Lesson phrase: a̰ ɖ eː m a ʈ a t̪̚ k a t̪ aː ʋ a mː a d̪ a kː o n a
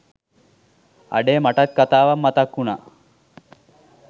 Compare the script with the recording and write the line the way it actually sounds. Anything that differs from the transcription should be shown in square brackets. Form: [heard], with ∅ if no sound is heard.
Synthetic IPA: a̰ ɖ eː m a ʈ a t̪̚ k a t̪ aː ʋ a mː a [t̪] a kː [u] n a